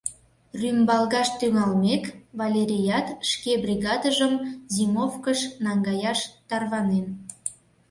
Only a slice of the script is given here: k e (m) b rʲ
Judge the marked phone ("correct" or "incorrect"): incorrect